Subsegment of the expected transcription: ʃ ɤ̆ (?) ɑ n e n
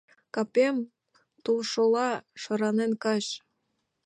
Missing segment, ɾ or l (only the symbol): ɾ